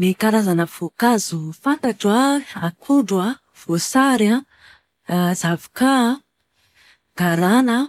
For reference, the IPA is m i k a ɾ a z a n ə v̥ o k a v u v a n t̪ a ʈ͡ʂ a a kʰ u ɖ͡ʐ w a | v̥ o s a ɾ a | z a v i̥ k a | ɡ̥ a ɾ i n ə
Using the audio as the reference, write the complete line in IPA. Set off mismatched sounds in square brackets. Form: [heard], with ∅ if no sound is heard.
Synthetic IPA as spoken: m i k a ɾ a z a n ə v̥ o k a [z] u [f] a n t̪ a ʈ͡ʂ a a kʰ u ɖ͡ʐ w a | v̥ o s a ɾ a | z a v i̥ k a | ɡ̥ a ɾ [a] n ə